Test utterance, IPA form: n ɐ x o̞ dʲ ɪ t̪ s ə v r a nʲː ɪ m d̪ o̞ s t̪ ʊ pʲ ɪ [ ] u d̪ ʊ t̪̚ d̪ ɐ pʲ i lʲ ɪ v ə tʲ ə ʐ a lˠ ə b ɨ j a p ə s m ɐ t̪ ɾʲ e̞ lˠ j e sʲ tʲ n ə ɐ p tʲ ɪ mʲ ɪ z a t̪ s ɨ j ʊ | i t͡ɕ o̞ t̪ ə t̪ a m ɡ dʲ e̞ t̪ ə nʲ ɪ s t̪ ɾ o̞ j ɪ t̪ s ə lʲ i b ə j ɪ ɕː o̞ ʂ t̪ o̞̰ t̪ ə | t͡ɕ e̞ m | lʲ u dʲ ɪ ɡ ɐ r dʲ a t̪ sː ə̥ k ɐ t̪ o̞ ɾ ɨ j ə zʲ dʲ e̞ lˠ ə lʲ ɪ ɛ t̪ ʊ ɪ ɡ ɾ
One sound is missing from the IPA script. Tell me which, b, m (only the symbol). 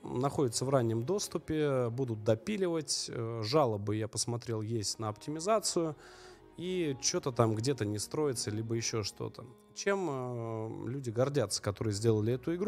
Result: b